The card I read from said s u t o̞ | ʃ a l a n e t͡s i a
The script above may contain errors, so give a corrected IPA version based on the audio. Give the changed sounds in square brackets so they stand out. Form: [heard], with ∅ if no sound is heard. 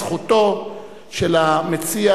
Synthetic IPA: [χ] u t o̞ | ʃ [e] l a [m] e t͡s i a